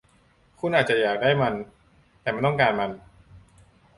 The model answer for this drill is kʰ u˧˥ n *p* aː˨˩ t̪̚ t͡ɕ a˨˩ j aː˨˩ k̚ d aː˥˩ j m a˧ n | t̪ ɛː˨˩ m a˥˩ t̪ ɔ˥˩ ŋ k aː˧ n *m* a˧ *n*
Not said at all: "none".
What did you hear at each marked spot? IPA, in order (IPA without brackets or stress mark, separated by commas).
ʔ, m, n